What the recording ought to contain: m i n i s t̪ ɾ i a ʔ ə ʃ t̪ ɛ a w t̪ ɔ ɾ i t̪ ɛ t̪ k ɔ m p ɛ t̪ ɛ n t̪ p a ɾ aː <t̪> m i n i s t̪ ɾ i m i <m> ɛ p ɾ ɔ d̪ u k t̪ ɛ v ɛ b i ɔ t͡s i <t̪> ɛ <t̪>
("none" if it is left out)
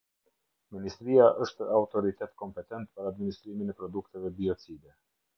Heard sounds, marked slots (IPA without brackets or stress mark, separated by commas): d̪, n, d̪, none